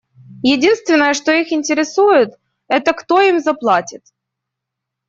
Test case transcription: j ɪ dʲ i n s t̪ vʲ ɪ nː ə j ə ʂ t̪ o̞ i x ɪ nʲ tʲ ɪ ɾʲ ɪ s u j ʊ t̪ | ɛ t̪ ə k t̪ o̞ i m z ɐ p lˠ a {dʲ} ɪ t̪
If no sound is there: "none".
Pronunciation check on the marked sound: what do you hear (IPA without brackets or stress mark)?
tʲ